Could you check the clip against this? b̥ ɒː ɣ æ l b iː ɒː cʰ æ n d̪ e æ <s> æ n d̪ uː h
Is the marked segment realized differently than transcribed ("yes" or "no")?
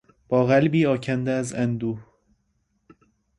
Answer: yes